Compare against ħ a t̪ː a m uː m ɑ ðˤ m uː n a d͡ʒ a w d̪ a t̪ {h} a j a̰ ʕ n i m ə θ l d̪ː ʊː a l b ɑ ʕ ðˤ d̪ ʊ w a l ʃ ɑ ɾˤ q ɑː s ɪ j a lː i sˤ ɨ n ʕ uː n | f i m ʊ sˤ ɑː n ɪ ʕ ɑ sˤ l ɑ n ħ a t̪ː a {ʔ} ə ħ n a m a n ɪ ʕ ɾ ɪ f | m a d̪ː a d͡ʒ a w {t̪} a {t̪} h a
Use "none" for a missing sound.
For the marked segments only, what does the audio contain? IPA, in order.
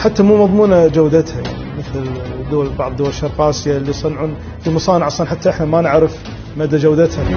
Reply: h, ʔ, d̪, t̪

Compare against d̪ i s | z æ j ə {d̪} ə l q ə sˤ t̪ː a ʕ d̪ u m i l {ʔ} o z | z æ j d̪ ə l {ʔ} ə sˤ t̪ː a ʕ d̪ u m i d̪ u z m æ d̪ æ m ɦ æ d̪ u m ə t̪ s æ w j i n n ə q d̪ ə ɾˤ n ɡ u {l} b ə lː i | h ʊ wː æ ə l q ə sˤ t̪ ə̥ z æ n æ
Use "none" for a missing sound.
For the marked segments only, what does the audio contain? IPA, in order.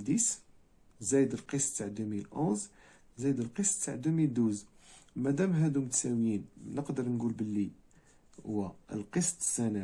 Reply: d̪, ʔ, q, l

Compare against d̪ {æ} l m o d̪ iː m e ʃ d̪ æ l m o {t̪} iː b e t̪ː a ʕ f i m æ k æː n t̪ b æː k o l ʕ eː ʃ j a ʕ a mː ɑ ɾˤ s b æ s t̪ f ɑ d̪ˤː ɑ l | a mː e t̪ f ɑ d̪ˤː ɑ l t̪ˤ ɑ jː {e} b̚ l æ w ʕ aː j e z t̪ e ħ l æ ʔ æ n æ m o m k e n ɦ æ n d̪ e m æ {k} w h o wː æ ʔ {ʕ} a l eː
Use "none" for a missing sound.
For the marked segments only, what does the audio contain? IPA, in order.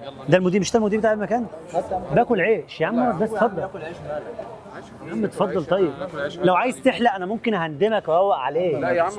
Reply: æ, d̪, e, k, ʕ

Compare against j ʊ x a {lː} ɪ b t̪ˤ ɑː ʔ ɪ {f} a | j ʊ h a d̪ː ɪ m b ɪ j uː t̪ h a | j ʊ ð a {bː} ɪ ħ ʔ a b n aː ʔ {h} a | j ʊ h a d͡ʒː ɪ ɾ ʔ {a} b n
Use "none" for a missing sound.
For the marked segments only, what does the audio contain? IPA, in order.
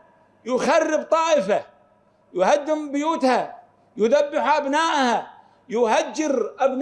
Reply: rː, f, bː, h, a

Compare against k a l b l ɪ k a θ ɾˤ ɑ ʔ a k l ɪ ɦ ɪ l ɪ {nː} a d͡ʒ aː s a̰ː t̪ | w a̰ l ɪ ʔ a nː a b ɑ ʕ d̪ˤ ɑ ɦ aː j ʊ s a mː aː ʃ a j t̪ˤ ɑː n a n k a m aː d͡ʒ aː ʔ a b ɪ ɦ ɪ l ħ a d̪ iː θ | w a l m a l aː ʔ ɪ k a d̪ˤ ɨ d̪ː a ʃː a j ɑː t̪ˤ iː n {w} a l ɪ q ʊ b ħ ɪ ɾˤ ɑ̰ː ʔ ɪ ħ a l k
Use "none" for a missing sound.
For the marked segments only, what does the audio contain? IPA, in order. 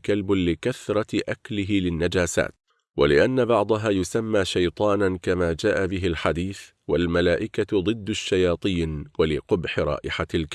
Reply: nː, w

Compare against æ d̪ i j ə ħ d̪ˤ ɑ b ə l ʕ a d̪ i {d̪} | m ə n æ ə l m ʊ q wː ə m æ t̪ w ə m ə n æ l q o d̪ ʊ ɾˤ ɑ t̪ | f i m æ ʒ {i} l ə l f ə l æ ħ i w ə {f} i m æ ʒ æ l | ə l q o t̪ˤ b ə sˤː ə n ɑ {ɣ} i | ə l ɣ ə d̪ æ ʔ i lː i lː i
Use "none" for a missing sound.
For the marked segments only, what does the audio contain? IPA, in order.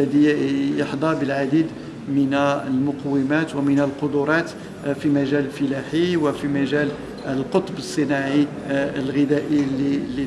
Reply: d̪, æ, f, ʕ

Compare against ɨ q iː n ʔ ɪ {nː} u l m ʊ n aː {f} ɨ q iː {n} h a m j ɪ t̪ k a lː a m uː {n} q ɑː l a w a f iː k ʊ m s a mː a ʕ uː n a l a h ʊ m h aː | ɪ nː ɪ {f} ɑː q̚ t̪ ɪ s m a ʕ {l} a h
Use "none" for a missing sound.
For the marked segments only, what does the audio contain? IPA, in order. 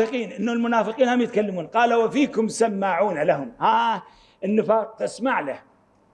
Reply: nː, f, n, n, f, l

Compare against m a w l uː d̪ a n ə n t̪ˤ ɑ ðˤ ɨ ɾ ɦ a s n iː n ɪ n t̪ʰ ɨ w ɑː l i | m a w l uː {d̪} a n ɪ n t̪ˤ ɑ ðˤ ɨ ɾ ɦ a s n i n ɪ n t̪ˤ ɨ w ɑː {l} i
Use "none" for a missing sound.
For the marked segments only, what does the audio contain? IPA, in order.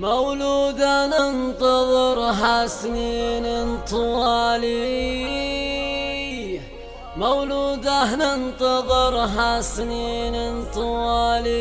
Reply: d̪, l

